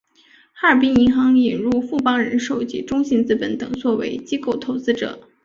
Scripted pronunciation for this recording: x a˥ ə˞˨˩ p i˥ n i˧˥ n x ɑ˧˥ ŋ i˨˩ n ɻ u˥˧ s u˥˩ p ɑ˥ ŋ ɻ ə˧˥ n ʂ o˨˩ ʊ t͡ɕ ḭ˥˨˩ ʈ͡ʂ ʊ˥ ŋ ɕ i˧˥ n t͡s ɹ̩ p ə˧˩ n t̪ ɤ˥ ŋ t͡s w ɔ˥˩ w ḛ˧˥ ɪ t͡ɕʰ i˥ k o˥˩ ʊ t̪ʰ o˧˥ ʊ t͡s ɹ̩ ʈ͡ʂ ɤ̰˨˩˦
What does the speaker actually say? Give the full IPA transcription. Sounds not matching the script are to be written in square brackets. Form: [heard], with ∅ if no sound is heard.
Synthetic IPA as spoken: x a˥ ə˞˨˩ p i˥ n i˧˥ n x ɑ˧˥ ŋ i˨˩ n ɻ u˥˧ [f] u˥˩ p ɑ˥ ŋ ɻ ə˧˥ n ʂ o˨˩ ʊ t͡ɕ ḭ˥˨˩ ʈ͡ʂ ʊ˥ ŋ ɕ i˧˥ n t͡s ɹ̩ p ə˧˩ n t̪ [ɤ˨˩] ŋ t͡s w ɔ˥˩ w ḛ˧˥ ɪ [t͡ɕ] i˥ k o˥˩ ʊ t̪ʰ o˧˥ ʊ t͡s ɹ̩ ʈ͡ʂ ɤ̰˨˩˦